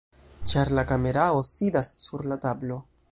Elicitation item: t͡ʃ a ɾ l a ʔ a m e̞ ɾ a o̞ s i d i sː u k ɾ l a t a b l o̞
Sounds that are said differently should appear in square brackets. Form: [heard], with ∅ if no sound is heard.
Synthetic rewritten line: t͡ʃ a ɾ l a [k] a m e̞ ɾ a o̞ s i d [a] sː u [∅] ɾ l a t a b l o̞

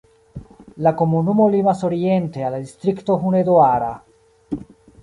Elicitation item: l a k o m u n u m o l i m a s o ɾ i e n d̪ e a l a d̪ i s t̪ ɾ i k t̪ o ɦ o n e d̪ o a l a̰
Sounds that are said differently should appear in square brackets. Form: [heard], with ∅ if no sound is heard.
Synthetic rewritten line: l a k o m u n u m o l i m a s o ɾ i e n [t̪] e a l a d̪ i s t̪ ɾ i k t̪ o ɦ [u] n e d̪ o a [ɾ] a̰

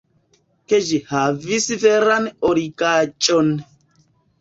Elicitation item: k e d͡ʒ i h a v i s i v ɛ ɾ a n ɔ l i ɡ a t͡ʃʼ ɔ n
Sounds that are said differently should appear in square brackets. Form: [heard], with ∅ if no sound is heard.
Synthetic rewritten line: k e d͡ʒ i h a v i s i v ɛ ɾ a n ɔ [ɾ] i [k] a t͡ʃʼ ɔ n

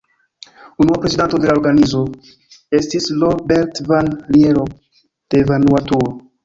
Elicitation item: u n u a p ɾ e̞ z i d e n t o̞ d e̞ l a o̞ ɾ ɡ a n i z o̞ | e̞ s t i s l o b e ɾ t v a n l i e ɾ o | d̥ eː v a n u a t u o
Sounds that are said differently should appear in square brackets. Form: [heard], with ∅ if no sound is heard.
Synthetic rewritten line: u n u a p ɾ e̞ z i d [a] n t o̞ d e̞ l a o̞ ɾ ɡ a n i z o̞ | e̞ s t i s l o b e ɾ t v a n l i e ɾ o | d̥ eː v a n u a t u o

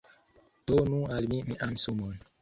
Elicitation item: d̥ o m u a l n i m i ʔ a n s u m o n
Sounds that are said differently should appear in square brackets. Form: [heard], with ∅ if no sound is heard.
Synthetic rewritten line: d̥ o [n] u a l [m] i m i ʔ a n s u m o n

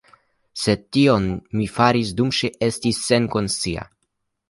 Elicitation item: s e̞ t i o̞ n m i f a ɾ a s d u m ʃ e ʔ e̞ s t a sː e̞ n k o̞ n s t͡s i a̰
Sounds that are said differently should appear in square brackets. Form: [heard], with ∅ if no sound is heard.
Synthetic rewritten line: s e̞ t i o̞ n m i f a ɾ [i] s d u m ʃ e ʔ e̞ s t [i] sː e̞ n k o̞ n s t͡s i a̰

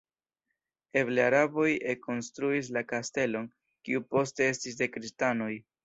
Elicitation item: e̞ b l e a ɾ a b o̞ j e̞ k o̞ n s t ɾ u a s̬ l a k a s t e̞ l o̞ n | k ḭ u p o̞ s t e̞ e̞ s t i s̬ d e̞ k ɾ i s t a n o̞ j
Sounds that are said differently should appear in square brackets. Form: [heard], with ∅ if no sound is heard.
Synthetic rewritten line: e̞ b l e a ɾ a b o̞ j e̞ k o̞ n s t ɾ u [i] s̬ l a k a s t e̞ l o̞ n | k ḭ u p o̞ s t e̞ e̞ s t i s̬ d e̞ k ɾ i s t a n o̞ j

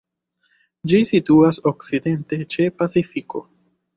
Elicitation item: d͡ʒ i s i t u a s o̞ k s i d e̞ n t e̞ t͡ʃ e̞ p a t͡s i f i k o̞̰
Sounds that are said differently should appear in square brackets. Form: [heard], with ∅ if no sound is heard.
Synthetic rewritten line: d͡ʒ i s i t u a s o̞ k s i d e̞ n t e̞ t͡ʃ e̞ p a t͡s i f i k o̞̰

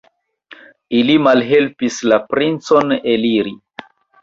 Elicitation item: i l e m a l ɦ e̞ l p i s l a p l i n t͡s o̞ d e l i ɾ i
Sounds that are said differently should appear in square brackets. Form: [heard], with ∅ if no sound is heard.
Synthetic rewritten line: i l [i] m a l ɦ e̞ l p i s l a p [ɾ] i n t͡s o̞ [n] e l i ɾ i

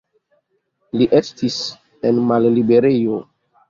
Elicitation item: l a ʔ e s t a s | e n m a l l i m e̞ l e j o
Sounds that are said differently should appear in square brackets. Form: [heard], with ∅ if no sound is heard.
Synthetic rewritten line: l [i] ʔ e s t [i] s | e n m a l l i [b] e̞ [ɾ] e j o

